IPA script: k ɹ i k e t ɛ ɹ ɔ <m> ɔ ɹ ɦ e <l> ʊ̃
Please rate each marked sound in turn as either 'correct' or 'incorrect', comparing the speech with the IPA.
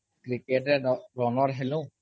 incorrect: n, correct

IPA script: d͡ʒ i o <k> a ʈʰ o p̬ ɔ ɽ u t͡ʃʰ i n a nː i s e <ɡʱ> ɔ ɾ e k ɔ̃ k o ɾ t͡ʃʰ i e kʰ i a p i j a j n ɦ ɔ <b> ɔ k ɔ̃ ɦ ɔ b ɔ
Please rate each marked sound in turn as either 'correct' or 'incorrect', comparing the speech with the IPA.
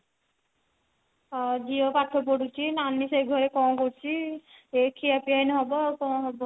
incorrect: p, correct, correct

